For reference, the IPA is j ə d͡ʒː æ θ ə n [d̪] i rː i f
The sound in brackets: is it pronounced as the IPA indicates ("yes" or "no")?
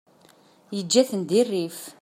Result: yes